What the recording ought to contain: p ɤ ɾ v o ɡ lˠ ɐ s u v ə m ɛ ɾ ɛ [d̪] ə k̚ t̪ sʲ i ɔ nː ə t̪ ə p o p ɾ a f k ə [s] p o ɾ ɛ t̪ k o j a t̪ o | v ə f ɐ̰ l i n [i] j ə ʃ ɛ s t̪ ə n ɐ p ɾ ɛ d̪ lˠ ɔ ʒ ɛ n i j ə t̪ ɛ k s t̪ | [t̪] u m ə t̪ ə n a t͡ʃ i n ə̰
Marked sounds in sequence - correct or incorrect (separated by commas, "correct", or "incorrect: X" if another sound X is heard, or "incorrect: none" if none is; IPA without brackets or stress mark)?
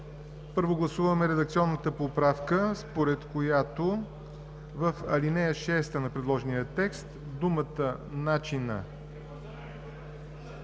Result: correct, correct, incorrect: ɛ, incorrect: d̪